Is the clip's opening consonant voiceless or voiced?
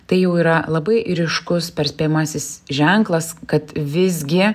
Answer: voiceless